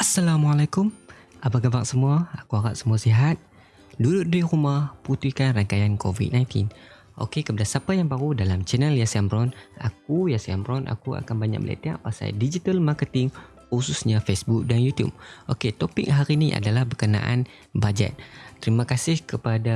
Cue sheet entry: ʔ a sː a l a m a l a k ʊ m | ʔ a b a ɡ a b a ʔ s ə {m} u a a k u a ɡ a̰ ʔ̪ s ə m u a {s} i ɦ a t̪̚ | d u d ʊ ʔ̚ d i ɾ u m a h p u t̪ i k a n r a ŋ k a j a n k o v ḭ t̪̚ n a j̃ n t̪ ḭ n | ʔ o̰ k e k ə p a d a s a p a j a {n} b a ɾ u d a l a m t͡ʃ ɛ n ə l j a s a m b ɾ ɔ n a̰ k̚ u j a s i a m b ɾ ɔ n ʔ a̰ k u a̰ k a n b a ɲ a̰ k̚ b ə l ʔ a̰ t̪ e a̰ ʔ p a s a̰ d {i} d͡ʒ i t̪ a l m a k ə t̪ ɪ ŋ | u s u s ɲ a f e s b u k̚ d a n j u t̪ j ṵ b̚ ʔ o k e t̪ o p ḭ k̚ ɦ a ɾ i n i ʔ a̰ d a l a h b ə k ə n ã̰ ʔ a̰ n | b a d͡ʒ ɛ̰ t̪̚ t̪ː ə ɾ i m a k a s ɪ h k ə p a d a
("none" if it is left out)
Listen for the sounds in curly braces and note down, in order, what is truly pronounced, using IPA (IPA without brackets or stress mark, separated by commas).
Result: m, s, ŋ, i